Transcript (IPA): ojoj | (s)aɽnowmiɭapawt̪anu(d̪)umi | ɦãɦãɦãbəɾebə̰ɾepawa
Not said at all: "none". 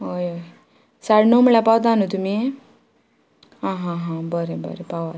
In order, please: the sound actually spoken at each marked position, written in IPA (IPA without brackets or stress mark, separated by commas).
s, t̪